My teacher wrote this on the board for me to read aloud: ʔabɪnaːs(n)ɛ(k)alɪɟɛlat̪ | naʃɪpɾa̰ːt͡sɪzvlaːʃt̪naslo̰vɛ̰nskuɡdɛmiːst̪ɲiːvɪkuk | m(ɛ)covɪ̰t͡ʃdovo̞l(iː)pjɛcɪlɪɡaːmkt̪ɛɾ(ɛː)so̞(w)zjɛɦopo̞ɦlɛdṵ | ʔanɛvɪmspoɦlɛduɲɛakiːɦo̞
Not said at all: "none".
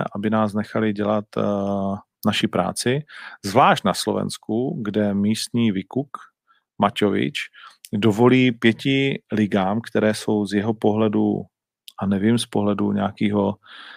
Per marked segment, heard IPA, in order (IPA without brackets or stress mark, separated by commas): n, x, a, iː, ɛː, w